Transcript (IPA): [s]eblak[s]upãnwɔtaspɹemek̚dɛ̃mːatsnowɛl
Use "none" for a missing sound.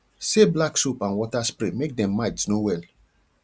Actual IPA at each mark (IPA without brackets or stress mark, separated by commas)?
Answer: s, s